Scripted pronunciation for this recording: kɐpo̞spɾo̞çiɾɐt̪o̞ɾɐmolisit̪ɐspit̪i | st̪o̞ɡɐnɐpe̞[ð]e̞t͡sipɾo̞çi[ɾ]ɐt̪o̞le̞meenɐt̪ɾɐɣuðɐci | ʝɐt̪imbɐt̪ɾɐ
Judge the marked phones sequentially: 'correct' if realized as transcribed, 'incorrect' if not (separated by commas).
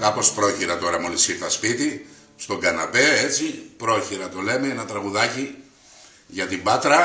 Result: incorrect, correct